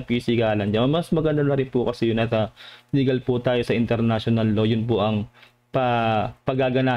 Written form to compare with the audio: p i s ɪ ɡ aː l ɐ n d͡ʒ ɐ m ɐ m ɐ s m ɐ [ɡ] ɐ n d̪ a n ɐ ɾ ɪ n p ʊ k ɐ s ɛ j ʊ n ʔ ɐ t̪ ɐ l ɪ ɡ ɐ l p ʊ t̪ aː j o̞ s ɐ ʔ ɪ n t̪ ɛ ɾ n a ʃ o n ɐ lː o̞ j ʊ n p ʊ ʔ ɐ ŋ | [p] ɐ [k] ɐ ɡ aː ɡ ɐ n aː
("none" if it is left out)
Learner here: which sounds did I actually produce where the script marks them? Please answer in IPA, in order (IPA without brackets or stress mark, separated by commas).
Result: ɡ, p, p